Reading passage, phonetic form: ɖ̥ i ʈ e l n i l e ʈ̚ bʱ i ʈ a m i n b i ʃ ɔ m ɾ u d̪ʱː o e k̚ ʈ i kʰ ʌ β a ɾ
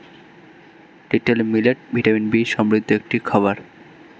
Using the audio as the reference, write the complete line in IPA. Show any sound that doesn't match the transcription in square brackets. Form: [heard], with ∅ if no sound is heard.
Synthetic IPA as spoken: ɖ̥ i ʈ e l [m] i l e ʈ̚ bʱ i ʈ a m i n b i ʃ ɔ m ɾ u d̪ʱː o e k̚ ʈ i kʰ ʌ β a ɾ